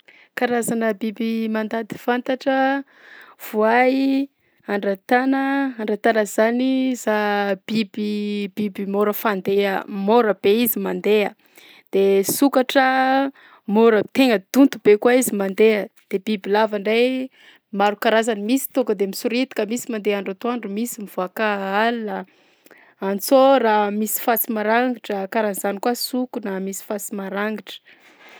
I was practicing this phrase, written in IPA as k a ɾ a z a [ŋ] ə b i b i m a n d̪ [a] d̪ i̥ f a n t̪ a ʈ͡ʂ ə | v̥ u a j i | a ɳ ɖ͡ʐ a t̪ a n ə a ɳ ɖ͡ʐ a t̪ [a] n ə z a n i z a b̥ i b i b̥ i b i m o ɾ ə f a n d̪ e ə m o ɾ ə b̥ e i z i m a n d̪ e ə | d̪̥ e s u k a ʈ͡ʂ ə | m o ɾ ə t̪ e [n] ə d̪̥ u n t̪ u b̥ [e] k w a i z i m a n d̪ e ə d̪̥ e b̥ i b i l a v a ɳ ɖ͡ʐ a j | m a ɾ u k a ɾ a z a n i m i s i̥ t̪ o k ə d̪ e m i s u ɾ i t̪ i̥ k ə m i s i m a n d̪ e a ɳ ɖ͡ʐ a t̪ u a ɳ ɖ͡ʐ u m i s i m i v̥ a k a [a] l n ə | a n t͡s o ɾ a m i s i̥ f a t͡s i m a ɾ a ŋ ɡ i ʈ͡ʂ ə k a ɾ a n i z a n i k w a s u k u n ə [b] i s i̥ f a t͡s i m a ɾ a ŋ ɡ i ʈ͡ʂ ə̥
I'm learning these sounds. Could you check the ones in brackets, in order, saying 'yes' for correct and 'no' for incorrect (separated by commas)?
no, yes, yes, no, yes, yes, no